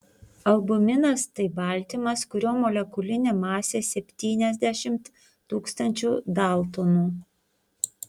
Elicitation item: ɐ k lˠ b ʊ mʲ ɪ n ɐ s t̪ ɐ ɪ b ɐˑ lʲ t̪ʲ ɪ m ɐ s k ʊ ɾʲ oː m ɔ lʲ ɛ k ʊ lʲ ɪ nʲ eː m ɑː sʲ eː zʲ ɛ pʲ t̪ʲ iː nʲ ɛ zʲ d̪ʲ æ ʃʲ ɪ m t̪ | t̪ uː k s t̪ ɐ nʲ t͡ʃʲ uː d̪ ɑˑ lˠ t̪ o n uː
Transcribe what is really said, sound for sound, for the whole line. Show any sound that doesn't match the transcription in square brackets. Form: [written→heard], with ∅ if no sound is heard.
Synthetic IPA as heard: ɐ [k→∅] lˠ b ʊ mʲ ɪ n ɐ s t̪ ɐ ɪ b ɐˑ lʲ t̪ʲ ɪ m ɐ s k ʊ ɾʲ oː m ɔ lʲ ɛ k ʊ lʲ ɪ nʲ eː m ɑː sʲ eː [zʲ→sʲ] ɛ pʲ t̪ʲ iː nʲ ɛ zʲ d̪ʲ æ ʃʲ ɪ m t̪ | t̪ uː k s t̪ ɐ nʲ t͡ʃʲ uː d̪ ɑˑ lˠ t̪ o n uː